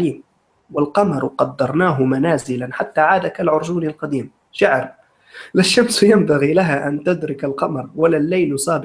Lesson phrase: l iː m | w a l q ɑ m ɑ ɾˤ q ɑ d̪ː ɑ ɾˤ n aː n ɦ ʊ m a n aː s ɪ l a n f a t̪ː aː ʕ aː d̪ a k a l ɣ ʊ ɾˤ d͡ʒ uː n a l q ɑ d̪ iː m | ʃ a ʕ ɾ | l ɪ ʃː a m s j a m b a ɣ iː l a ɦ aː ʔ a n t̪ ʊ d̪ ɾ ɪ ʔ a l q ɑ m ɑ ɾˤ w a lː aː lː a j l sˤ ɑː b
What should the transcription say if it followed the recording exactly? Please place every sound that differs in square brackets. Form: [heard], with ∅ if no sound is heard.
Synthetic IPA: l iː m | w a l q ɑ m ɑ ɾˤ q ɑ d̪ː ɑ ɾˤ n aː [∅] ɦ ʊ m a n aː [z] ɪ l a n [ħ] a t̪ː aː ʕ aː d̪ a k a l [ʕ] ʊ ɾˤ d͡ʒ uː n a l q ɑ d̪ iː m | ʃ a ʕ ɾ | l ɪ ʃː a m s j a m b a ɣ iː l a ɦ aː ʔ a n t̪ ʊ d̪ ɾ ɪ [k] a l q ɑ m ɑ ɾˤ w a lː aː lː a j l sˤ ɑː b